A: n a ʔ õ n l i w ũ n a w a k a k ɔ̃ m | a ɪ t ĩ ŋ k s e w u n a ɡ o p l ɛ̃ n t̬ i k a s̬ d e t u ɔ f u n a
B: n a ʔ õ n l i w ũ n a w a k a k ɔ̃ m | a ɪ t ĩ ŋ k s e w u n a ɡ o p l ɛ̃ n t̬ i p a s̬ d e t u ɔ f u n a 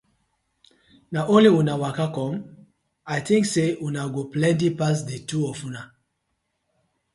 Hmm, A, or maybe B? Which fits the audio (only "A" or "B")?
B